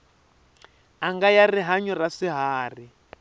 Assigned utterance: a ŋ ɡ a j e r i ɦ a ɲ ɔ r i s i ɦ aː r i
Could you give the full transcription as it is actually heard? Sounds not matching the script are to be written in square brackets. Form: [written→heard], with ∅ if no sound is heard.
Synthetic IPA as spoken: a ŋ ɡ a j [e→a] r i ɦ a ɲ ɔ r [i→a] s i ɦ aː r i